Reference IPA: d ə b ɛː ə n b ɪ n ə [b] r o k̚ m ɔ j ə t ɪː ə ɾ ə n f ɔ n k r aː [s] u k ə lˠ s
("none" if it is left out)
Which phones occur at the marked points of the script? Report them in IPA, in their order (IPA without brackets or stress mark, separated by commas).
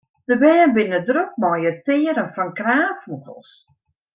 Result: d, f